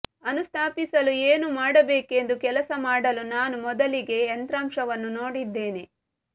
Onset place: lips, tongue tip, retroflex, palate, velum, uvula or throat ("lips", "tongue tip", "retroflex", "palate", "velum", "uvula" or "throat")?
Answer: tongue tip